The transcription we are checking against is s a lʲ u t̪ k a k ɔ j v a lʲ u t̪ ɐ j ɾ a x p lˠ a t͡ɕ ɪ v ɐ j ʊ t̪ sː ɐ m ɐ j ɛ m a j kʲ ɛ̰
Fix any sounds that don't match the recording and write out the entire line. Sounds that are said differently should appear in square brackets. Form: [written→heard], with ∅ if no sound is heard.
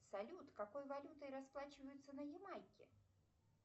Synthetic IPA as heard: s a lʲ u t̪ k a k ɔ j v a lʲ u t̪ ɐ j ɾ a [x→s] p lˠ a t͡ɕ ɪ v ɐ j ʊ t̪ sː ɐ [m→n] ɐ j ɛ m a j kʲ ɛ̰

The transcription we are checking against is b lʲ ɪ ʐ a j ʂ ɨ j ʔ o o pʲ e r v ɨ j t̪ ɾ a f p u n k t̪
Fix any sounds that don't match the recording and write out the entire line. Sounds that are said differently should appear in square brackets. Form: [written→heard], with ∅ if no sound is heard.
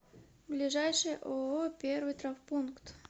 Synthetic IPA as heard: b lʲ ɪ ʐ a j ʂ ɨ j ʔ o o pʲ e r v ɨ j t̪ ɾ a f p u n k t̪

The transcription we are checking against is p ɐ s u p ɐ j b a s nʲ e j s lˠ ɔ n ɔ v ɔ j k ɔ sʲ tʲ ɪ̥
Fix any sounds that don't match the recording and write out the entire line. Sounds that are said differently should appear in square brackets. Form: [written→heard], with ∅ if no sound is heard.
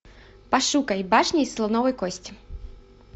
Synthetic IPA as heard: p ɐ [s→ʂ] u [p→k] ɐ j b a [s→ʂ] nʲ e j s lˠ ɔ n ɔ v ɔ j k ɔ sʲ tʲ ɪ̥

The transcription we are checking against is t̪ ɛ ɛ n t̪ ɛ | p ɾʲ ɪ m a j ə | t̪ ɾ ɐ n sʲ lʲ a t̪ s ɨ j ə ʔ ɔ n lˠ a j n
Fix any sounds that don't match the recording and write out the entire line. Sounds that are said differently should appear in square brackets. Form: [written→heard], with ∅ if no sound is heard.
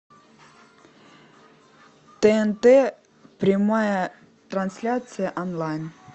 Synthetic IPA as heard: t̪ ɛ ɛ n t̪ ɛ | p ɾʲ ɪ m a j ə | t̪ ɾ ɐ n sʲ lʲ a t̪ s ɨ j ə ʔ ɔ n lˠ a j n

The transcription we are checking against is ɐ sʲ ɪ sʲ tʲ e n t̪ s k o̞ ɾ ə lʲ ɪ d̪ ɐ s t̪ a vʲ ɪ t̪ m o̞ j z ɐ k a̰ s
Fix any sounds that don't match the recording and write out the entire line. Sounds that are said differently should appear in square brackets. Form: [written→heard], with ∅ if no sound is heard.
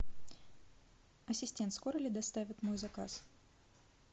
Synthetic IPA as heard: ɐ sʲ ɪ sʲ tʲ e n t̪ s k o̞ ɾ ə lʲ ɪ d̪ ɐ s t̪ a vʲ ɪ t̪ m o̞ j z ɐ k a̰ s

